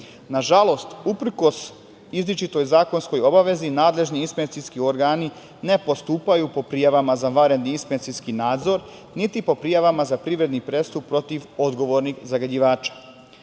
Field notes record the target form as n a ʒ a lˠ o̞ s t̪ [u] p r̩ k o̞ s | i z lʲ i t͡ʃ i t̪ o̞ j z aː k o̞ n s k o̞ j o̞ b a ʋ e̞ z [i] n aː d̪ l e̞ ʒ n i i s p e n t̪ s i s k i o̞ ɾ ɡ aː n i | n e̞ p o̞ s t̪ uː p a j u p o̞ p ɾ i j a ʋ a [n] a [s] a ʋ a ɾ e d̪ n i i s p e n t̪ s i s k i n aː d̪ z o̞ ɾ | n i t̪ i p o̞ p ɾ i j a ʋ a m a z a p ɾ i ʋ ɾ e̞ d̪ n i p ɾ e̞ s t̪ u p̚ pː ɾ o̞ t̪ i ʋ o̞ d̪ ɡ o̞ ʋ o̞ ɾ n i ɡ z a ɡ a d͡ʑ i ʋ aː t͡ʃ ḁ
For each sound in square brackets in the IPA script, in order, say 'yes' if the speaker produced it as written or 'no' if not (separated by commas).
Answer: yes, yes, no, no